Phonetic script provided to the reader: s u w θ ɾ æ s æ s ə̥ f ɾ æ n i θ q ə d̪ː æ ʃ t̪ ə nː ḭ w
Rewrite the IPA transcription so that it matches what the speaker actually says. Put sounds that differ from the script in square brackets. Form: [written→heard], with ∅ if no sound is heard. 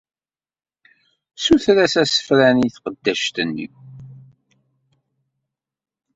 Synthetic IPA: s u [w→∅] θ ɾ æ s æ s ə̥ f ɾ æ n i θ q ə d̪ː æ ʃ t̪ ə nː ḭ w